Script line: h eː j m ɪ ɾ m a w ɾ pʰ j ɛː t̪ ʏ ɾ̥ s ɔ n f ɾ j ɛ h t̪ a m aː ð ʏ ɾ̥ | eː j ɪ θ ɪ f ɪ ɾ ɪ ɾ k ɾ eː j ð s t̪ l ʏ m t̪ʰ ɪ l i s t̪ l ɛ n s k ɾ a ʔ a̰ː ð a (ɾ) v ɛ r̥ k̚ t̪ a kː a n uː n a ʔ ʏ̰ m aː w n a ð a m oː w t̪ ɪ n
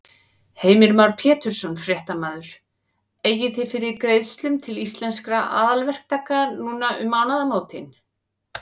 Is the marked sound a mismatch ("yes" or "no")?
yes